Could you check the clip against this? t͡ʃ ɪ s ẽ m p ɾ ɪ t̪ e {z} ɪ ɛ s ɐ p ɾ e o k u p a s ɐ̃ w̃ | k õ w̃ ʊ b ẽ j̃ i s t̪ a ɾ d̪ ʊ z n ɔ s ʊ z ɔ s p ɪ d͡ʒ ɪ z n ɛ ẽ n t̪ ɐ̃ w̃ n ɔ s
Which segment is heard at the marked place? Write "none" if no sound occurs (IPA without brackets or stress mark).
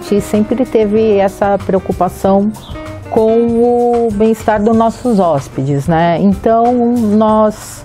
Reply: v